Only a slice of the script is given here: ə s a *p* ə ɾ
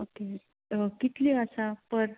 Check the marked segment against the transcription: correct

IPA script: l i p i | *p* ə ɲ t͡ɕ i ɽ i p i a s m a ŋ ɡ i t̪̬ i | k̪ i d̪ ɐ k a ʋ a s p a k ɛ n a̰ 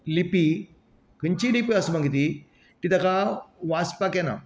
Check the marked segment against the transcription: incorrect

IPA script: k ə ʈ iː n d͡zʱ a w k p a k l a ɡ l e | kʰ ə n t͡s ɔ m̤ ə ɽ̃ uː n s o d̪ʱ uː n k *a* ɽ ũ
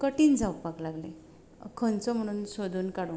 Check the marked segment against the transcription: correct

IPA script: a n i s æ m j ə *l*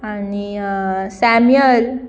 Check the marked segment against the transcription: correct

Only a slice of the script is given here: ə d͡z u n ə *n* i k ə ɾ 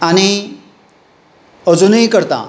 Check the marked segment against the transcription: incorrect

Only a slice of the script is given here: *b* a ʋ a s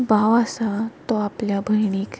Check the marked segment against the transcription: correct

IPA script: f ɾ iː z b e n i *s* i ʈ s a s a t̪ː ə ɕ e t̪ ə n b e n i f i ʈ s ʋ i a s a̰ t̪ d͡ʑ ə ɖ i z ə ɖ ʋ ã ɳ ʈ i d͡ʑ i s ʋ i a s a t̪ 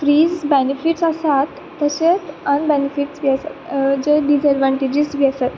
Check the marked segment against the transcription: incorrect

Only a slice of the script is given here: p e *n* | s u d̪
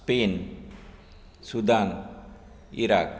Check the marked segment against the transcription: correct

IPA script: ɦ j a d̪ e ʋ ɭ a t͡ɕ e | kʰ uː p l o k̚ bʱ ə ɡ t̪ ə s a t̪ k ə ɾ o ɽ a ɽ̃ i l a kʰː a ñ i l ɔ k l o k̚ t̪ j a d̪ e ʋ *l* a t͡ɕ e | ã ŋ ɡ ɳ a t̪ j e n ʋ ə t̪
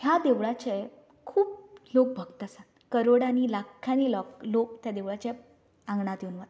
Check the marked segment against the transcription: incorrect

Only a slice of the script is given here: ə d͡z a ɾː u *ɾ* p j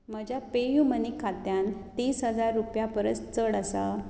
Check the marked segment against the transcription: incorrect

